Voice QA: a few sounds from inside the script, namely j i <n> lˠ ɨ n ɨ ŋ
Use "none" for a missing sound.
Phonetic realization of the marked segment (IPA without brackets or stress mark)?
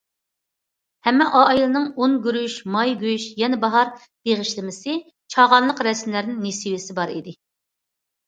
none